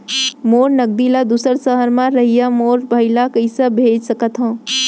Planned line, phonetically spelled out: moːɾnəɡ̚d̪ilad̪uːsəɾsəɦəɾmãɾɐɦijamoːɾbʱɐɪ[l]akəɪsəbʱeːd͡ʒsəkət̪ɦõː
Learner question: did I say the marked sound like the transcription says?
yes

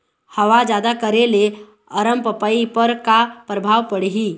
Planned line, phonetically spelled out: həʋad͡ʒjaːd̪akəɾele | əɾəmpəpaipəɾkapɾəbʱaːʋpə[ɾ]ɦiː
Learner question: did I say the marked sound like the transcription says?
no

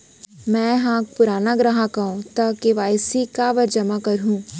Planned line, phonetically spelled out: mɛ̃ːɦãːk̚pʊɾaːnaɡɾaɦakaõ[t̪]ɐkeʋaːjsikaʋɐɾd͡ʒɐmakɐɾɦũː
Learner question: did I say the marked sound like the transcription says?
yes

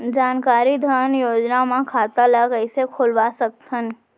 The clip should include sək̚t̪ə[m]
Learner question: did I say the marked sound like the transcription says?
no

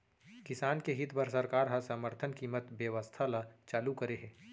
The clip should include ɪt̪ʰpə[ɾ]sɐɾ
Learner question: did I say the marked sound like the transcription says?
yes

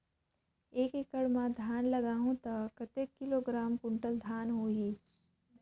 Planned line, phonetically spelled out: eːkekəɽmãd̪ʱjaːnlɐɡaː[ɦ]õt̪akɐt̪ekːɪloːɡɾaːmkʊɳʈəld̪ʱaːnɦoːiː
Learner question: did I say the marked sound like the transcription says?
yes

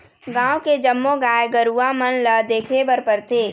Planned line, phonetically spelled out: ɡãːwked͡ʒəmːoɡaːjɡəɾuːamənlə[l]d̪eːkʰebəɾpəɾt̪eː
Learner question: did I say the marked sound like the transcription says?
no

